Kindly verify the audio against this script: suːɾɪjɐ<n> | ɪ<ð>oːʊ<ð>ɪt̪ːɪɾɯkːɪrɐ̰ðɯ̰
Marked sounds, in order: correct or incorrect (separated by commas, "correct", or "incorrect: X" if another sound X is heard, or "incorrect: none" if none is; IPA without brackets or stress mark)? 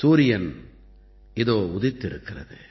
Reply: correct, correct, correct